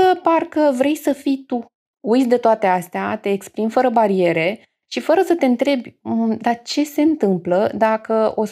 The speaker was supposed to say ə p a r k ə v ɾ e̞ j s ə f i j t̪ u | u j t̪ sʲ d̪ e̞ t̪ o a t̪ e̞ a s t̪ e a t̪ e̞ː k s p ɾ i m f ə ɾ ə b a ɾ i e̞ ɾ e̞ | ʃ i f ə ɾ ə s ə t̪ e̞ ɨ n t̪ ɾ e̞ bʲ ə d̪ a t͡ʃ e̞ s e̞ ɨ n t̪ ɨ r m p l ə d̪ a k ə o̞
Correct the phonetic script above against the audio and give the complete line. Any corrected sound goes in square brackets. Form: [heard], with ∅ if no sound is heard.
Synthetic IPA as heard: ə p a r k ə v ɾ e̞ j s ə f i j t̪ u | u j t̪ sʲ d̪ e̞ t̪ o a t̪ e̞ a s t̪ e a t̪ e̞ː k s p ɾ i m f ə ɾ ə b a ɾ i e̞ ɾ e̞ | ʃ i f ə ɾ ə s ə t̪ e̞ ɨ n t̪ ɾ e̞ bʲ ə d̪ a t͡ʃ e̞ s e̞ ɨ n t̪ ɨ [∅] m p l ə d̪ a k ə o̞